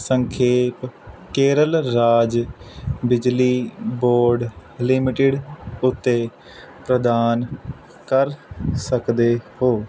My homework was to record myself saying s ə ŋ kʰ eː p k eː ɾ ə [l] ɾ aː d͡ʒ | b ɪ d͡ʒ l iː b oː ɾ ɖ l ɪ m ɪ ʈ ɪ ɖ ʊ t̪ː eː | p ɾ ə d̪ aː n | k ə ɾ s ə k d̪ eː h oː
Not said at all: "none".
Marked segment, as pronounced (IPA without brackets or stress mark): l